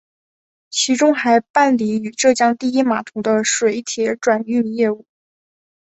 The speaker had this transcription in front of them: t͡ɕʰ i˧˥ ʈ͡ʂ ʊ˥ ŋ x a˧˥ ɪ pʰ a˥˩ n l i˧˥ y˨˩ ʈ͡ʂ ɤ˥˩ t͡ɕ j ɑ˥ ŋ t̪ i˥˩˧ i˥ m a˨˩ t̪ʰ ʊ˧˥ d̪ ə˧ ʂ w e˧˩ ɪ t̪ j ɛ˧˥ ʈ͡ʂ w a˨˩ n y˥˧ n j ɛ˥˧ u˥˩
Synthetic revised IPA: t͡ɕʰ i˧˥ ʈ͡ʂ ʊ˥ ŋ x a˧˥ ɪ p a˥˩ n l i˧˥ y˨˩ ʈ͡ʂ ɤ˥˩ t͡ɕ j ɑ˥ ŋ t̪ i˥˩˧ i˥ m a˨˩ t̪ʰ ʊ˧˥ d̪ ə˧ ʂ w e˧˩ ɪ t̪ʰ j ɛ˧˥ ʈ͡ʂ w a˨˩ n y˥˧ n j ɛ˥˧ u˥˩